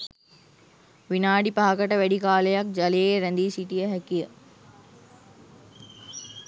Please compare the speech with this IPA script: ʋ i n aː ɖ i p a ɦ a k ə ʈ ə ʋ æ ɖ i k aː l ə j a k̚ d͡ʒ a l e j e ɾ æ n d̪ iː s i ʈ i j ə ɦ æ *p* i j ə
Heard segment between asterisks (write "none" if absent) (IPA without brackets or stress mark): k